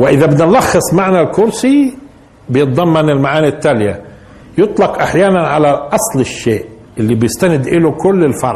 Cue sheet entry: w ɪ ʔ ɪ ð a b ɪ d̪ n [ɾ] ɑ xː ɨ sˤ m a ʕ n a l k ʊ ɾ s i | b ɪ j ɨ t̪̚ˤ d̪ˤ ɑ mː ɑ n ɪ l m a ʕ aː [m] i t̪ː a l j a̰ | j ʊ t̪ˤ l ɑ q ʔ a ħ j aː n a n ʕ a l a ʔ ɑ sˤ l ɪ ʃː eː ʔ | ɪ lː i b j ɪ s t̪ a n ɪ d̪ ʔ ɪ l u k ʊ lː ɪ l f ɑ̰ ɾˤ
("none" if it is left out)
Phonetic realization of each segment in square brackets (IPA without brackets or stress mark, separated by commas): l, n